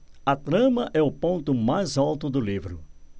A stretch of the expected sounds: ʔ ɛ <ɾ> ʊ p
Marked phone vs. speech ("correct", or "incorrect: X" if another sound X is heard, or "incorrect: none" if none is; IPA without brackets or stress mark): incorrect: none